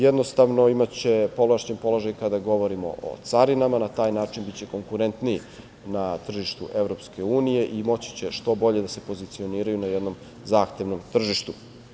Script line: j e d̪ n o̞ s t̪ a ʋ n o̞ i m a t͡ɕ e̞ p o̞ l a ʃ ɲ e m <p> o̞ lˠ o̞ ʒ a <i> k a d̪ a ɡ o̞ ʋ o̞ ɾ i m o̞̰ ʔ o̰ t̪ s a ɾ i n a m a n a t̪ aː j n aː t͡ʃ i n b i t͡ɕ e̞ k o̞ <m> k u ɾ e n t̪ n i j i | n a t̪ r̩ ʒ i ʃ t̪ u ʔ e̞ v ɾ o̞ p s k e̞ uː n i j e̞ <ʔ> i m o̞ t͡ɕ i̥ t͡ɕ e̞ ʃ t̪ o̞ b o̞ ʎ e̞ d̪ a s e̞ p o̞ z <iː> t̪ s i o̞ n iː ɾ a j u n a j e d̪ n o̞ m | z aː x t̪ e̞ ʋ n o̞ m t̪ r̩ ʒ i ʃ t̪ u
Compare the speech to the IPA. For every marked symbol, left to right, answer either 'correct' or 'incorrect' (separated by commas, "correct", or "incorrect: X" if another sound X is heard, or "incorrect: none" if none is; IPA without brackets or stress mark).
correct, incorrect: j, incorrect: ŋ, correct, incorrect: i